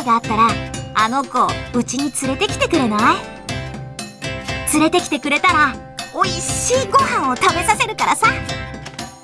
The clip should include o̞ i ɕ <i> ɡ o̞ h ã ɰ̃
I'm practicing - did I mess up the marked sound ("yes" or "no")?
yes